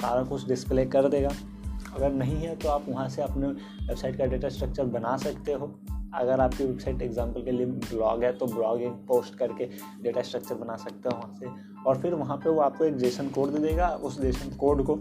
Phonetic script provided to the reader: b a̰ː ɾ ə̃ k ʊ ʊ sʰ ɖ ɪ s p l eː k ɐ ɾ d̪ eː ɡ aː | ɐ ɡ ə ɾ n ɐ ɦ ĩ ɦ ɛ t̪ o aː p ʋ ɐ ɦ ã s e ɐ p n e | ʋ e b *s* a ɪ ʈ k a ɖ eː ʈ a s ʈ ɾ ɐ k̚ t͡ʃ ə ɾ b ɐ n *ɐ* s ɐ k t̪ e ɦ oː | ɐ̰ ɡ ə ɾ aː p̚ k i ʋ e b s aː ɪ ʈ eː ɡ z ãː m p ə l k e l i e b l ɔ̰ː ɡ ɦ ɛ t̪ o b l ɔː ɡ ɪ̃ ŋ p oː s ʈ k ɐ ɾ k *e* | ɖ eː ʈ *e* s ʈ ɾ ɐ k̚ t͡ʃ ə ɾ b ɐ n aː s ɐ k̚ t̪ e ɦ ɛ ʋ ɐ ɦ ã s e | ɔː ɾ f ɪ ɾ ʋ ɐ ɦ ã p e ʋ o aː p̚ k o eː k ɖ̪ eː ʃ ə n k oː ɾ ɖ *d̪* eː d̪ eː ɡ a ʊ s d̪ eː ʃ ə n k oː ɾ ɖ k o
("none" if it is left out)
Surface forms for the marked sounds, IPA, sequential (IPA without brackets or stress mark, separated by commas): s, a, e, a, d̪